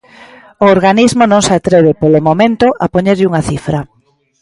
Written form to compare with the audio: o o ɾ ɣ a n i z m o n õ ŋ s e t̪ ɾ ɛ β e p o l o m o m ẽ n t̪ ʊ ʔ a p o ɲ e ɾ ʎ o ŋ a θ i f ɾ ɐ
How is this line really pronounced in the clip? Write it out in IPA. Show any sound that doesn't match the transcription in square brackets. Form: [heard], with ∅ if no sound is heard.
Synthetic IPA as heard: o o ɾ ɣ a n i z m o n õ ŋ s [a] t̪ ɾ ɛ β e p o l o m o m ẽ n t̪ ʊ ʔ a p o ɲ e ɾ ʎ [u] ŋ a θ i f ɾ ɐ